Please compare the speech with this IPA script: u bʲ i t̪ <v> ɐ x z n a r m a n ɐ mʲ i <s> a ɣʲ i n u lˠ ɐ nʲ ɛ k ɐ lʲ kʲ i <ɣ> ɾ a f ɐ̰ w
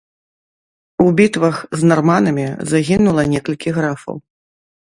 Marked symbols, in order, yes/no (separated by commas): yes, no, yes